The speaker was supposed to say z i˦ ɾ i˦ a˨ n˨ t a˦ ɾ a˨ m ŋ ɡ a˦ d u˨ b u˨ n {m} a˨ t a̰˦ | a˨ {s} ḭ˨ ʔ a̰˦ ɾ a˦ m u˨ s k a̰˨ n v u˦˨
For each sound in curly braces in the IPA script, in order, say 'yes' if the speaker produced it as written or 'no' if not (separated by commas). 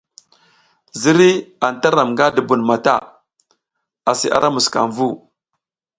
yes, yes